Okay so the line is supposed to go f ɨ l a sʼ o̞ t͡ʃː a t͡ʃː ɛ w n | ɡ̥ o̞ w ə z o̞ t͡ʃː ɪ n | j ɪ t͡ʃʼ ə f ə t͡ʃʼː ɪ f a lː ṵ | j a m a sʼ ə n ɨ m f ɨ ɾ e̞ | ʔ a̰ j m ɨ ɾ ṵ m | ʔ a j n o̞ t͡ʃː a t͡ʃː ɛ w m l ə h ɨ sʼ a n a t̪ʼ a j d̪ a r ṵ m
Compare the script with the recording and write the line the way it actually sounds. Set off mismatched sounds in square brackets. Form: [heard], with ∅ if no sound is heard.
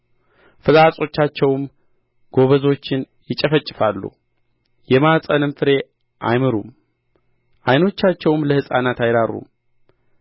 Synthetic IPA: f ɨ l a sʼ o̞ t͡ʃː a t͡ʃː ɛ w [m] | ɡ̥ o̞ [β] ə z o̞ t͡ʃː ɪ n | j ɪ t͡ʃʼ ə f ə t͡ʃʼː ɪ f a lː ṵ | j [ɛ] m a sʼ ə n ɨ m f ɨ ɾ e̞ | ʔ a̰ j m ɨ ɾ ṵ m | ʔ a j n o̞ t͡ʃː a t͡ʃː ɛ w m l ə h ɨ sʼ a n a [t̪] a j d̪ a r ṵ m